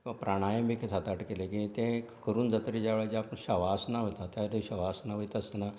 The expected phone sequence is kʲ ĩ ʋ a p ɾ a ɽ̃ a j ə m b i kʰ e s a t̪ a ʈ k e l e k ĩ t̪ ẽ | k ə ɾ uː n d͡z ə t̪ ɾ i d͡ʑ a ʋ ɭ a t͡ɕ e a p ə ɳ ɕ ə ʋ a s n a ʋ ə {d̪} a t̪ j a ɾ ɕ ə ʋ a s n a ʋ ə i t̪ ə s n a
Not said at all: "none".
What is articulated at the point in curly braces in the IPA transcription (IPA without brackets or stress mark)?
t̪